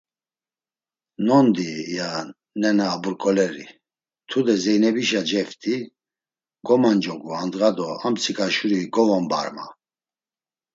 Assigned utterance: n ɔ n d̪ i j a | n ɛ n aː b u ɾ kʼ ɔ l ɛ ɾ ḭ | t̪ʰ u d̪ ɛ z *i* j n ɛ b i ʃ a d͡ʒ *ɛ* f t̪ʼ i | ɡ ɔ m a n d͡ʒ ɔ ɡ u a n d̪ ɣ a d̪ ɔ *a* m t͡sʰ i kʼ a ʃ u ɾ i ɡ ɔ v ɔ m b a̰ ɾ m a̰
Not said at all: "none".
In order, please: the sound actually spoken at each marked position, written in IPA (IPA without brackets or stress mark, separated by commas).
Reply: ɛ, ɛ, a